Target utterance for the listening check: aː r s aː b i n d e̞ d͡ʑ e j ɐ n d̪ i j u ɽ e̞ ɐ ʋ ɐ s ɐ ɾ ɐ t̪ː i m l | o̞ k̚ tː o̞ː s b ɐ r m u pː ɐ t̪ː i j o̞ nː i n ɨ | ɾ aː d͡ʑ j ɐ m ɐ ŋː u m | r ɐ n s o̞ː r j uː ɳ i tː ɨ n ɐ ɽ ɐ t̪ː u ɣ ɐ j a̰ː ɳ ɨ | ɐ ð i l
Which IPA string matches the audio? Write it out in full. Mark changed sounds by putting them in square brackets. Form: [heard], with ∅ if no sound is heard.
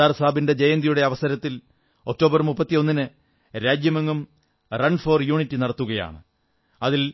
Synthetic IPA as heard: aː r s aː b i n d e̞ d͡ʑ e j ɐ n d̪ i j u ɽ e̞ ɐ ʋ ɐ s ɐ ɾ ɐ t̪ː i [∅] l | o̞ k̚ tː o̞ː [∅] b ɐ r m u pː ɐ t̪ː i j o̞ nː i n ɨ | ɾ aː d͡ʑ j ɐ m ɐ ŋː u m | r ɐ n [f] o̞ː r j uː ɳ i tː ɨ n ɐ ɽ ɐ t̪ː u ɣ ɐ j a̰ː ɳ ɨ | ɐ ð i l